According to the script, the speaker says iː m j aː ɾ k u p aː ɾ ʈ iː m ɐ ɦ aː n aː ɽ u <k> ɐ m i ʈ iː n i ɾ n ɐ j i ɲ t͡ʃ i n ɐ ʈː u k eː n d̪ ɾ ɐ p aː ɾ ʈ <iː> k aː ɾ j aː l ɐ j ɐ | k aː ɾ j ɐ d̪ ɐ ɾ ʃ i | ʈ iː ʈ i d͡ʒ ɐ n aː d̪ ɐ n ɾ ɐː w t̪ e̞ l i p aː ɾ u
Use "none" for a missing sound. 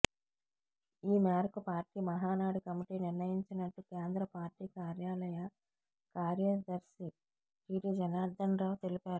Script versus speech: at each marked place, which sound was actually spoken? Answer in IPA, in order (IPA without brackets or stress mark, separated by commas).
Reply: k, iː